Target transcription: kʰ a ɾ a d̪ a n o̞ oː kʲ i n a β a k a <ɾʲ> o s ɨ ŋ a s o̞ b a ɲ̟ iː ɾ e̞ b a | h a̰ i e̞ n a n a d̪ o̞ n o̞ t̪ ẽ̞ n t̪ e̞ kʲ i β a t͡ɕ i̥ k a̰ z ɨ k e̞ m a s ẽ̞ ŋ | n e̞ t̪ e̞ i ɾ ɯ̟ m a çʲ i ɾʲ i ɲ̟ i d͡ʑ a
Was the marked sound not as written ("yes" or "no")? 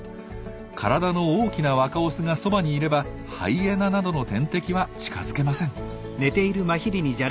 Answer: yes